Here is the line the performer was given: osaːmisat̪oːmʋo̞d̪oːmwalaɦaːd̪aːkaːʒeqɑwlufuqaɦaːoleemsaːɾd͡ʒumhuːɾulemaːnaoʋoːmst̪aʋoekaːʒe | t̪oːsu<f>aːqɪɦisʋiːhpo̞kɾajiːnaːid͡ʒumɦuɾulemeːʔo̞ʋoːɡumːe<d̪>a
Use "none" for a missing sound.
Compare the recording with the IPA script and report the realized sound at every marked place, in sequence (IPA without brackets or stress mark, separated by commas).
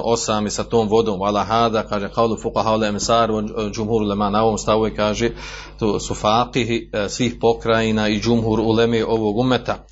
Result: f, t̪